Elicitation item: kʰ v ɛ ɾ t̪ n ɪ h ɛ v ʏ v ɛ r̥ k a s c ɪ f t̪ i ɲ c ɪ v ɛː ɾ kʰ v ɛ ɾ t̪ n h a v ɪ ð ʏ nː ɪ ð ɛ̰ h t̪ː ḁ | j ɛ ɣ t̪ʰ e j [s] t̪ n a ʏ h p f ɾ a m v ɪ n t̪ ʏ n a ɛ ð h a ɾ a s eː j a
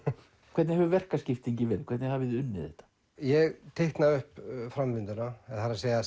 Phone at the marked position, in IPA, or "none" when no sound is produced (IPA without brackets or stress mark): h